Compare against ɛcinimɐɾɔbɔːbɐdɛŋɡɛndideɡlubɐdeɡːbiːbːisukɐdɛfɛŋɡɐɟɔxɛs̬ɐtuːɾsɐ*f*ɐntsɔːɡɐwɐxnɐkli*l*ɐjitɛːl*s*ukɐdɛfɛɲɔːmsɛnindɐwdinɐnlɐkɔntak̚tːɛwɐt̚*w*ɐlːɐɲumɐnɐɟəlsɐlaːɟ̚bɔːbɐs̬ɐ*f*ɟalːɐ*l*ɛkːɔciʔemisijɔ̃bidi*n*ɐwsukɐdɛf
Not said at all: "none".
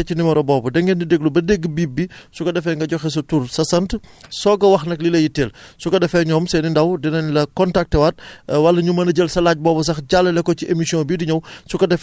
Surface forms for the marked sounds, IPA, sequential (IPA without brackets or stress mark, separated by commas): s, l, s, w, x, l, ɲ